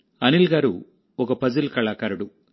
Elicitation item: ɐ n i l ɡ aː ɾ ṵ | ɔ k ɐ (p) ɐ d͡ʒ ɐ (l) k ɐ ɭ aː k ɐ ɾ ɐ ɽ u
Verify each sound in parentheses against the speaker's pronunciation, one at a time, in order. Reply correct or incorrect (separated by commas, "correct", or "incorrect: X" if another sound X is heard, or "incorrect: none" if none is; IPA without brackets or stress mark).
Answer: correct, correct